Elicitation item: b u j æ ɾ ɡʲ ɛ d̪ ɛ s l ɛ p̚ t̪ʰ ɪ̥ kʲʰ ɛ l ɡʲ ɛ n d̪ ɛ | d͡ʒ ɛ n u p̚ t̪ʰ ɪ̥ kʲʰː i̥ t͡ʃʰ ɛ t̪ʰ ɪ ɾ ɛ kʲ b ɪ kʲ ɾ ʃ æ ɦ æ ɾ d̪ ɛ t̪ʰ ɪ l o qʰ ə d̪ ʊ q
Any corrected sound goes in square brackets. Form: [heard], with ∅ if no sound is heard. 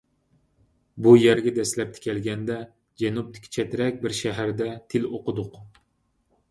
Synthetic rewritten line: b u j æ ɾ ɡʲ ɛ d̪ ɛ s l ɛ p̚ t̪ʰ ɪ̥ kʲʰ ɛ l ɡʲ ɛ n d̪ ɛ | d͡ʒ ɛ n u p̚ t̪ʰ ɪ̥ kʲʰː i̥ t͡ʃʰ ɛ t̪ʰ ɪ ɾ ɛ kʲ b ɪ [∅] ɾ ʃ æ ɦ æ ɾ d̪ ɛ t̪ʰ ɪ l o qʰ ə d̪ ʊ q